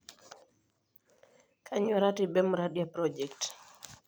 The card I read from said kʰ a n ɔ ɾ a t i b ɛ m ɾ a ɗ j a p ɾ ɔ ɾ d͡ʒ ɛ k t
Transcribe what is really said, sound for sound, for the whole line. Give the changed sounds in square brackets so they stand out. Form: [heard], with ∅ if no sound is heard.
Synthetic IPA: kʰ a [ɲ] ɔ ɾ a t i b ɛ m ɾ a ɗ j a p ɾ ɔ [∅] d͡ʒ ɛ k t